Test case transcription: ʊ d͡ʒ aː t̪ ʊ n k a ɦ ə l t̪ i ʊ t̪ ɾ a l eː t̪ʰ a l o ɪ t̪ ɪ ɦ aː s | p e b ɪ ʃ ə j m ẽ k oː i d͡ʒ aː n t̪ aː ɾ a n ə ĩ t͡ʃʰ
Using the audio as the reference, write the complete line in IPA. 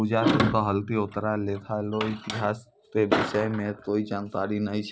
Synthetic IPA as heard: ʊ d͡ʒ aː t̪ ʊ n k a ɦ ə l t̪ i ʊ t̪ ɾ a l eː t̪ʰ a l o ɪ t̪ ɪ ɦ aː s | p e b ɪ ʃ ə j m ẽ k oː i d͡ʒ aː n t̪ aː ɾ i n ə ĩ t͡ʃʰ